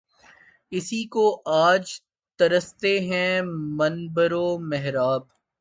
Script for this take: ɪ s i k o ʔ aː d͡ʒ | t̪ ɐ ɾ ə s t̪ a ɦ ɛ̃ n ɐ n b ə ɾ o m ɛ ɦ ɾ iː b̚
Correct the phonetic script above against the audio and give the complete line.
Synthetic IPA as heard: ɪ s i k o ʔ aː d͡ʒ | t̪ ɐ ɾ ə s t̪ e ɦ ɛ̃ m ɐ n b ə ɾ o m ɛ ɦ ɾ aː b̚